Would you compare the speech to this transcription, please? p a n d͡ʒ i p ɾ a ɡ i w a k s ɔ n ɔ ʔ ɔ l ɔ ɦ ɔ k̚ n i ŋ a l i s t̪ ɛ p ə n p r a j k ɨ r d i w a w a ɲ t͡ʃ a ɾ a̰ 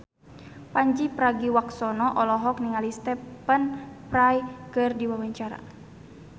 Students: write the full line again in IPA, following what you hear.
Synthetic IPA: p a ɲ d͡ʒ i p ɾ a ɡ i w a k s ɔ n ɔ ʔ ɔ l ɔ ɦ ɔ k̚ n i ŋ a l i s t̪ ɛ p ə n p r a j k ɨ r d i w a w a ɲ t͡ʃ a ɾ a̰